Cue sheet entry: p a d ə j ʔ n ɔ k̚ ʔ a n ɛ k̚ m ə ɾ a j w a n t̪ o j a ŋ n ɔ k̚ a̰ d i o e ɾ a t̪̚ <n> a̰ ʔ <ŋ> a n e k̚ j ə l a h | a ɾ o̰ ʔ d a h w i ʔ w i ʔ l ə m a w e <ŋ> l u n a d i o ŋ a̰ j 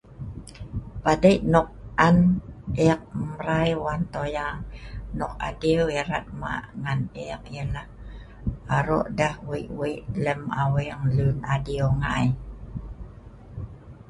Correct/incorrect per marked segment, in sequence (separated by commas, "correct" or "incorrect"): incorrect, correct, correct